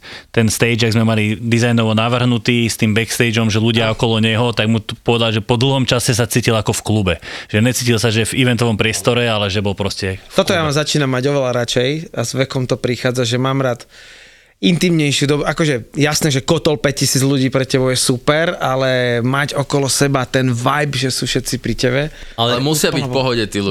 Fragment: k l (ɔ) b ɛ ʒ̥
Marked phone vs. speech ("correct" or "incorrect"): incorrect